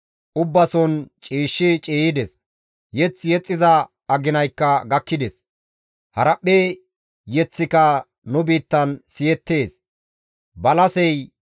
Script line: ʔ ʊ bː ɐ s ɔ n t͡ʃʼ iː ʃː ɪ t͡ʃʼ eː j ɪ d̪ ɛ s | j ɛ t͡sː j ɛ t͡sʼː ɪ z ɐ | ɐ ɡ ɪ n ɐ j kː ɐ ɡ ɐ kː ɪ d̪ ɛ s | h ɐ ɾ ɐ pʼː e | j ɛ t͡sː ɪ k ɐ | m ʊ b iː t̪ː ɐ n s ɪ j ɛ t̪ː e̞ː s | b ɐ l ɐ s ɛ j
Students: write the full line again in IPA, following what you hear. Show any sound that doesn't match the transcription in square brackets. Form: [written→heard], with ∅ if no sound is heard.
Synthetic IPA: ʔ ʊ bː ɐ s ɔ n t͡ʃʼ iː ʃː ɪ t͡ʃʼ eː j ɪ d̪ ɛ s | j ɛ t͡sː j ɛ t͡sʼː ɪ z ɐ | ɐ ɡ ɪ n ɐ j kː ɐ ɡ ɐ kː ɪ d̪ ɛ s | h ɐ ɾ ɐ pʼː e | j ɛ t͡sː ɪ k ɐ | [m→n] ʊ b iː t̪ː ɐ n s ɪ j ɛ t̪ː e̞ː s | b ɐ l ɐ s ɛ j